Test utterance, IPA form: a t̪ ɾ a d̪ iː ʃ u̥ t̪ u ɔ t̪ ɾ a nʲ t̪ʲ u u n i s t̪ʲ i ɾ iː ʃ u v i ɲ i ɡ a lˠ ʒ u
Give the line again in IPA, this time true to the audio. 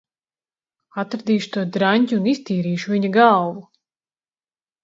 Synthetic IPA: a t̪ ɾ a d̪ iː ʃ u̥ t̪ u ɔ d̪ ɾ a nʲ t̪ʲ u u n i s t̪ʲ iː ɾ iː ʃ u v i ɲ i ɡ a lˠ v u